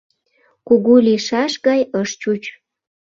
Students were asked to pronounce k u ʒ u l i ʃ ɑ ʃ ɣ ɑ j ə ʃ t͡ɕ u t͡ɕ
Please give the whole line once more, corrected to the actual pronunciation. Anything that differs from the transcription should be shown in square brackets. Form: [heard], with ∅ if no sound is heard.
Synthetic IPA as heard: k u [ɣ] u l i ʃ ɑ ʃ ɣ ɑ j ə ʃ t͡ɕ u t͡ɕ